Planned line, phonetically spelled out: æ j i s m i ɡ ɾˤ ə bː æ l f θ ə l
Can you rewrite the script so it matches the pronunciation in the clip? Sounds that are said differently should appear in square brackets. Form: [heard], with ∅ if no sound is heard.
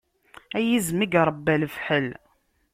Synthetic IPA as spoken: æ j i [z] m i ɡ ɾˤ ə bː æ l f [ħ] ə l